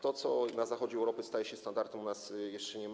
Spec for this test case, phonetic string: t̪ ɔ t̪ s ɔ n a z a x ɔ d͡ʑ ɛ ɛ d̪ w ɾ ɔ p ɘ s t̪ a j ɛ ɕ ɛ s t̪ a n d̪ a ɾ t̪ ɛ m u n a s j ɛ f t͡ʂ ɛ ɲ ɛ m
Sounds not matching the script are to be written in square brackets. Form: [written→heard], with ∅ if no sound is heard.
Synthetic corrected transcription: t̪ ɔ t̪ s ɔ n a z a x ɔ d͡ʑ ɛ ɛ [d̪→∅] w ɾ ɔ p ɘ s t̪ a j ɛ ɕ ɛ s t̪ a n d̪ a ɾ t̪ ɛ m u n a s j ɛ [f→ʂ] t͡ʂ ɛ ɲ ɛ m